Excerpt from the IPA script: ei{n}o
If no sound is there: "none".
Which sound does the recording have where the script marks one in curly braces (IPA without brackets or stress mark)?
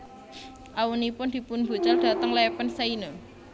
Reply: n